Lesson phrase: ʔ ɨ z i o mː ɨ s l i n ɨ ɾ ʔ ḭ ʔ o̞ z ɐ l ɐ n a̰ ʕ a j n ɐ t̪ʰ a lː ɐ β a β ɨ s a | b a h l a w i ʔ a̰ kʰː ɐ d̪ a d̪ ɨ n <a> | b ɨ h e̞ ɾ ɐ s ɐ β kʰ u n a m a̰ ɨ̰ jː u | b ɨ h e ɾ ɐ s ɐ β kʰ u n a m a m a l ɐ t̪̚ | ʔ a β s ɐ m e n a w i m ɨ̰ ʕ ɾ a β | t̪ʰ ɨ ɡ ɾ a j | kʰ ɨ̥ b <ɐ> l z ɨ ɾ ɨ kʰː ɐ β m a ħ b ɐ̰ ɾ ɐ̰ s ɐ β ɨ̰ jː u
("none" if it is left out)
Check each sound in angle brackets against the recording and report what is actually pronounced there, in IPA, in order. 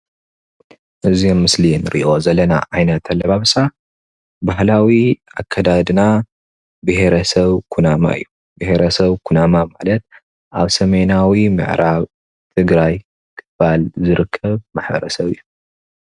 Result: a, a

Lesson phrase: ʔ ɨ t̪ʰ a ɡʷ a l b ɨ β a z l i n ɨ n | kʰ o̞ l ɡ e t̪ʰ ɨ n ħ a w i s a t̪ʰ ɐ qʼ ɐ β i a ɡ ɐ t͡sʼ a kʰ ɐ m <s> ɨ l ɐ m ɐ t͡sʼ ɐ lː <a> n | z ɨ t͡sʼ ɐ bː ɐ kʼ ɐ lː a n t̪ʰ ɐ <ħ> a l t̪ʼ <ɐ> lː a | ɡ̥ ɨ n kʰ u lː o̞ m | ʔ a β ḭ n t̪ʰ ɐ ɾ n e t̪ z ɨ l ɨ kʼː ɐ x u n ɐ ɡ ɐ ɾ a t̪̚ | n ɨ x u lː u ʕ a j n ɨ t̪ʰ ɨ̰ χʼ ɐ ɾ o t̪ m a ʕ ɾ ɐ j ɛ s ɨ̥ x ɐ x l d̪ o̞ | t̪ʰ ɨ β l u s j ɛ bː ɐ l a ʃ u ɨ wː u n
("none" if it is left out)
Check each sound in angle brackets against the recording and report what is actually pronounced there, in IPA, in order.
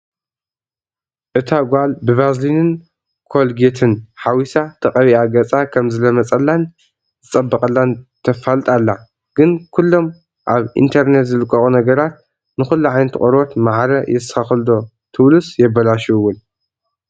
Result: z, a, f, a

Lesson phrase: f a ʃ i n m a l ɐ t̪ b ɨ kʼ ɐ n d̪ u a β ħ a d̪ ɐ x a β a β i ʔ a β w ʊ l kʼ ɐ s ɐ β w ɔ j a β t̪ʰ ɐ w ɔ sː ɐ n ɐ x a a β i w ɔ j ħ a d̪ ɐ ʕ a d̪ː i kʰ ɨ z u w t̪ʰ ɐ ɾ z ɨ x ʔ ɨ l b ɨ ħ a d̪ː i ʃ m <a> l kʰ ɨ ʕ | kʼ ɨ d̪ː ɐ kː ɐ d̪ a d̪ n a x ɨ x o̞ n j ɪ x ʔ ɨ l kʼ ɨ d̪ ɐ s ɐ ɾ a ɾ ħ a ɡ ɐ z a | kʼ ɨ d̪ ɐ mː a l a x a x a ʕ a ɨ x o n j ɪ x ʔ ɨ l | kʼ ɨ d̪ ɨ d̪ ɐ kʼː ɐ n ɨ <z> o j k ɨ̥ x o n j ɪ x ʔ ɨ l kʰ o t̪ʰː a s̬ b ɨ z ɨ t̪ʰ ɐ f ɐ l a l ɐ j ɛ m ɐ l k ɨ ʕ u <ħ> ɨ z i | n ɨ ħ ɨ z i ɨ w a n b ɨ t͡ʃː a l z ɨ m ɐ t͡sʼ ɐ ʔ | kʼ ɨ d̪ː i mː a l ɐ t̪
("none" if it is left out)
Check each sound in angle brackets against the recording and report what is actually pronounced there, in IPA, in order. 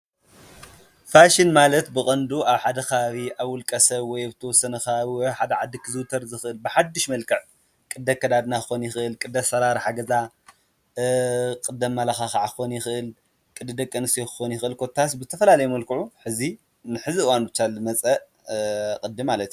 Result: ɐ, s, ħ

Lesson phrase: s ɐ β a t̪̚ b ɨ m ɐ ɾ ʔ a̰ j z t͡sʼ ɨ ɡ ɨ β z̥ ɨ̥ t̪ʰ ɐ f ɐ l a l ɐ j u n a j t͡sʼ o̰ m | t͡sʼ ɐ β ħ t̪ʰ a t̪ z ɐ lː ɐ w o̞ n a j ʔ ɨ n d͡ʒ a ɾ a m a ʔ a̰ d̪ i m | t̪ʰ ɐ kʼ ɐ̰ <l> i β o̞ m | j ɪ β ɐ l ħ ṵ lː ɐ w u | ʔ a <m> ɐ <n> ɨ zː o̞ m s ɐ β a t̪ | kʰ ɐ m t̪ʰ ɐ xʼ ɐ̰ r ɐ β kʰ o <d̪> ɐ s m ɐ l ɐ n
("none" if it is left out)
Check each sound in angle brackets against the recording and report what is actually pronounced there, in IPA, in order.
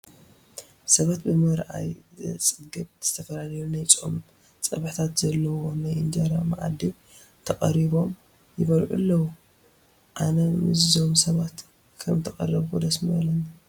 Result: ɾ, n, m, d̪

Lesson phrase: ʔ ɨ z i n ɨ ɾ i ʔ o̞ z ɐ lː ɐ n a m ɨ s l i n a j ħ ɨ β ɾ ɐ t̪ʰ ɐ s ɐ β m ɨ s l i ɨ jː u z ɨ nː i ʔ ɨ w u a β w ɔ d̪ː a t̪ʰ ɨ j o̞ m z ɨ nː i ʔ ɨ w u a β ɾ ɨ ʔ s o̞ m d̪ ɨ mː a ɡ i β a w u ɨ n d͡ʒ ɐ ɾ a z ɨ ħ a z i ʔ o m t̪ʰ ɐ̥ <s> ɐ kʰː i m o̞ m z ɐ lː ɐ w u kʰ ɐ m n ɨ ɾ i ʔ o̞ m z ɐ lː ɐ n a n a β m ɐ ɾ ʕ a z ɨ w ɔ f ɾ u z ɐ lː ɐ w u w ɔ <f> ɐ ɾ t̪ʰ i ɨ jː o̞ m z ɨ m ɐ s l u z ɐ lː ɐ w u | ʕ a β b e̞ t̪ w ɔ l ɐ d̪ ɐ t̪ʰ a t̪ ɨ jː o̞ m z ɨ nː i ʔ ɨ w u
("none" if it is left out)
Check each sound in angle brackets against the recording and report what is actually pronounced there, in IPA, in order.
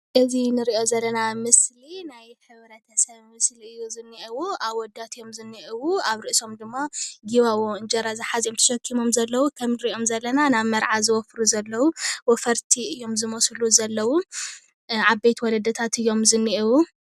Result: ʃ, f

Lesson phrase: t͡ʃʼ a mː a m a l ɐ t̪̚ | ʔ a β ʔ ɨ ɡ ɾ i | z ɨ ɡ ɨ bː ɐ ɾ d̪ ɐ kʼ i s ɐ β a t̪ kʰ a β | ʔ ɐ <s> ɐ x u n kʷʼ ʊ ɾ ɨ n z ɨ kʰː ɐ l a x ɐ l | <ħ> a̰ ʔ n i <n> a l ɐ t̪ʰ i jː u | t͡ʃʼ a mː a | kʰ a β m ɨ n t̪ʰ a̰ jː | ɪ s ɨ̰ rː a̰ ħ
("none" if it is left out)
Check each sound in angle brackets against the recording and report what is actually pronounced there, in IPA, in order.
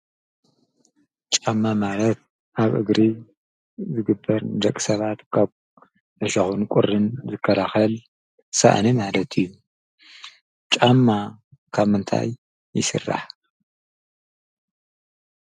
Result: ʃ, s, m

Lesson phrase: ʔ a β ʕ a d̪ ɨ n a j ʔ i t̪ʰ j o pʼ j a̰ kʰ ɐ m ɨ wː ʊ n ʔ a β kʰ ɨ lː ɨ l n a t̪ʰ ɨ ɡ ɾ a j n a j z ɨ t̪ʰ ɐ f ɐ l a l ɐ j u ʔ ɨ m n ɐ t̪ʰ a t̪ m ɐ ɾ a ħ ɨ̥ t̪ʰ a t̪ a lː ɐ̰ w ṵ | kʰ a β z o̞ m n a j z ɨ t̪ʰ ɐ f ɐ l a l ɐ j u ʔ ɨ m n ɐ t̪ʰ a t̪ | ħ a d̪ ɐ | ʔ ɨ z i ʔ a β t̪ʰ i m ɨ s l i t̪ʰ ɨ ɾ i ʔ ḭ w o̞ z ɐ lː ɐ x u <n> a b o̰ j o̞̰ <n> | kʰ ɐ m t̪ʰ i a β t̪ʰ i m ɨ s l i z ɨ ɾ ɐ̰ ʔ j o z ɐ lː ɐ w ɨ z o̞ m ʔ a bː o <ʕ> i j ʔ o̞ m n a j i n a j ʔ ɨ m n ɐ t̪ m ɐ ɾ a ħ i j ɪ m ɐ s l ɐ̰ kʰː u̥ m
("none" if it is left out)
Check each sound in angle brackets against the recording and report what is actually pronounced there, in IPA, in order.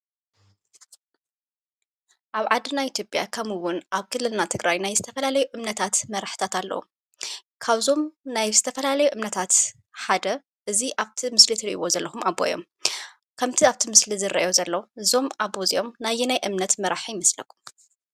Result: m, m, z

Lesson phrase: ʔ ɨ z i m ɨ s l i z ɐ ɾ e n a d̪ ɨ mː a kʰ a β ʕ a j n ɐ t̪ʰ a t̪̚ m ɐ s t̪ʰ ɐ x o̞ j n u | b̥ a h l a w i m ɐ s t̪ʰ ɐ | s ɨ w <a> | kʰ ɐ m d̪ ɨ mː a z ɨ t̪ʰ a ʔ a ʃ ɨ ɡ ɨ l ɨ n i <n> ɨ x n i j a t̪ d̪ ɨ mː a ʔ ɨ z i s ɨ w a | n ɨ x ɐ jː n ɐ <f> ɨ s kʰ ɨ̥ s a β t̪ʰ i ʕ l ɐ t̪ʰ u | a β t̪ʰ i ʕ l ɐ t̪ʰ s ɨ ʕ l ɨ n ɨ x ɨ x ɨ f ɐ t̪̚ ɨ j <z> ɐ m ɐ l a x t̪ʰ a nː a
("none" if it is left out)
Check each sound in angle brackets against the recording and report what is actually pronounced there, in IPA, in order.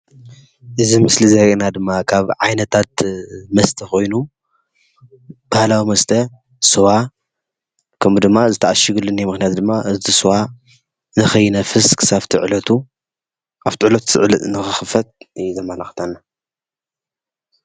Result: a, m, f, z

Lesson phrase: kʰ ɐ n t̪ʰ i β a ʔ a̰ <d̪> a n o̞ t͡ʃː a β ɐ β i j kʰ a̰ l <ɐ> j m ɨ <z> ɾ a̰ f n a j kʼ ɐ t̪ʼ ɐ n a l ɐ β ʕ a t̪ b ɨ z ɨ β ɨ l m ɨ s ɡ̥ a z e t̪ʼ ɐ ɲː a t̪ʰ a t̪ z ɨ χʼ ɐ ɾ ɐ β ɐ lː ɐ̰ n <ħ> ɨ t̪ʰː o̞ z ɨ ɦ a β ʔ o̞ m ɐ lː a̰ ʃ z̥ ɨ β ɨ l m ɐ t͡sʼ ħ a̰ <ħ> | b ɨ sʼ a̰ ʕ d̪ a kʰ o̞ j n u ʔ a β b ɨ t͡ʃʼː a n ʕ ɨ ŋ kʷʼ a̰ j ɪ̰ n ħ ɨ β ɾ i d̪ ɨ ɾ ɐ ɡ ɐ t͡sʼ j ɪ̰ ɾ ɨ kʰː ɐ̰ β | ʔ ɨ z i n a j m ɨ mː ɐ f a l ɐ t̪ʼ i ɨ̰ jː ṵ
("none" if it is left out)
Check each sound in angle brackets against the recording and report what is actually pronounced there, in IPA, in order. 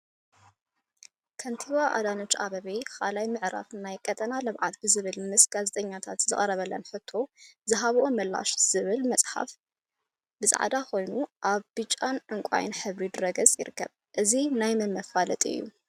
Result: d̪, a, ʕ, ħ, f

